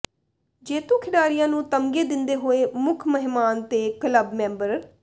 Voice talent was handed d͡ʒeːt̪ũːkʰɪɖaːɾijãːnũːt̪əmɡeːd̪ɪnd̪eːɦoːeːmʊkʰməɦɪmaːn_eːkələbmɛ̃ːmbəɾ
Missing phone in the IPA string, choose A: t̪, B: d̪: A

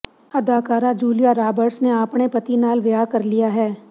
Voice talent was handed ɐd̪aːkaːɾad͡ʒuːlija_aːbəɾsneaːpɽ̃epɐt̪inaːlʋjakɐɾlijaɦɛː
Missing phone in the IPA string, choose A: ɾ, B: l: A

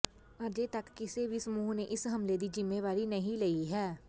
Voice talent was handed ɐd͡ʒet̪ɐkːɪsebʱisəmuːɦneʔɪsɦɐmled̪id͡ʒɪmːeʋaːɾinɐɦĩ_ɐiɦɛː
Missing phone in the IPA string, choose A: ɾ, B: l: B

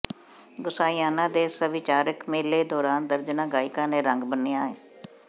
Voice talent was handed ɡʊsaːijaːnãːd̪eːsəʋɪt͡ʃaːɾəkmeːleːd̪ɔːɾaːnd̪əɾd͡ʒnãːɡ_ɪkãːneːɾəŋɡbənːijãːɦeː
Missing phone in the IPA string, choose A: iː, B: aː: B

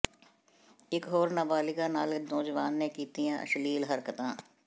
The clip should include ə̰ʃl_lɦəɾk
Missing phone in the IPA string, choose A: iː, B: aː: A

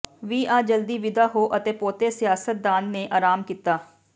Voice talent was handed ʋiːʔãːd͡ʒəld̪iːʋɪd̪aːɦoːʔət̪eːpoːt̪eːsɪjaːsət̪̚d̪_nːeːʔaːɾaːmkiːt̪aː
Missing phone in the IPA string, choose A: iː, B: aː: B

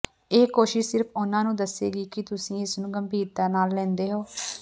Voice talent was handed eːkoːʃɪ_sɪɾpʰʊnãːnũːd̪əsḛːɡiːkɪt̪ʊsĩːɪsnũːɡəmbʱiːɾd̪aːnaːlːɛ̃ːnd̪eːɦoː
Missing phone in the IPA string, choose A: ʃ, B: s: A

